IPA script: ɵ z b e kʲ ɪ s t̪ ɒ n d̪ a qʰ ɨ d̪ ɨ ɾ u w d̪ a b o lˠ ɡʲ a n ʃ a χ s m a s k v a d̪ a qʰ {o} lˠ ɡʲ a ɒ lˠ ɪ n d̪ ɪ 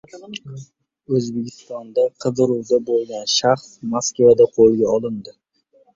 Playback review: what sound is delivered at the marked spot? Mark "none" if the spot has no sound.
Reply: o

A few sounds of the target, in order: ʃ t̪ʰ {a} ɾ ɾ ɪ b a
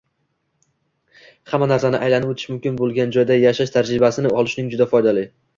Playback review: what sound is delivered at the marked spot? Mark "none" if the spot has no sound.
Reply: a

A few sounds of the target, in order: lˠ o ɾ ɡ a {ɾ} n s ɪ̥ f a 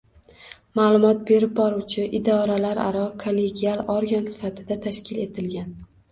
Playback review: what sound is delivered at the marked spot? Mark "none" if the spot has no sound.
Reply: none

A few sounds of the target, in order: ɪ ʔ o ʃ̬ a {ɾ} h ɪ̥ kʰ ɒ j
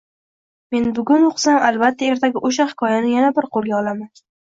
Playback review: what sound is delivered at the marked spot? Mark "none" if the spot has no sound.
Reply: none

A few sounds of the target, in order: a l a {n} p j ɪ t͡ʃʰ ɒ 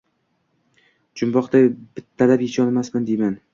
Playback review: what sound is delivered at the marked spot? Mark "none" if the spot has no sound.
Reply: none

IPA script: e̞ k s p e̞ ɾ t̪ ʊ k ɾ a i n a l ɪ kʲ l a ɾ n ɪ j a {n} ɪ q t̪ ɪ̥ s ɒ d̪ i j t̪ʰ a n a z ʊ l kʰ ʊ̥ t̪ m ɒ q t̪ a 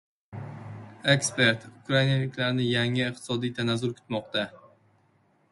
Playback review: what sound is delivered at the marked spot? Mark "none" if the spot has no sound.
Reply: ŋ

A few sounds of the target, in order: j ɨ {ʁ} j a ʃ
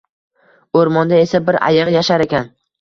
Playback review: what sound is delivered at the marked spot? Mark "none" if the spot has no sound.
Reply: ʁ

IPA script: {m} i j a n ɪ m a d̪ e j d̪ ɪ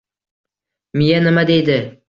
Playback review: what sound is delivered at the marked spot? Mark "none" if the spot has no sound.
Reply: m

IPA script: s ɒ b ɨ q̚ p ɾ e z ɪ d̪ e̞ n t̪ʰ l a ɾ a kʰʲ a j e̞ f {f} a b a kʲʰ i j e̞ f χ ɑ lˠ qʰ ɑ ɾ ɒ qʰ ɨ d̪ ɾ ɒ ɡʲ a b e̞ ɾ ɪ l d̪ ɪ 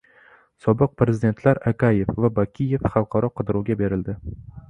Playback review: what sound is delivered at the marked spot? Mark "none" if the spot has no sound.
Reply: v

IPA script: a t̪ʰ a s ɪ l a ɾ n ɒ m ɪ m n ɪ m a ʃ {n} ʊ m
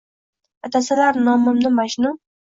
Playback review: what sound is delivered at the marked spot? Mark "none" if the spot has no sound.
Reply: n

